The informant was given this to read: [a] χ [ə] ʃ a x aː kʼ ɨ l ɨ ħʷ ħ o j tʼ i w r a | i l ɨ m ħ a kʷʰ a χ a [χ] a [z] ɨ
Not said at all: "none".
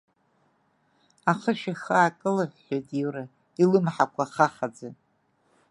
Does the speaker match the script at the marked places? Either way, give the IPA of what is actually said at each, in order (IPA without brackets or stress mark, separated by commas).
a, ə, χ, d͡z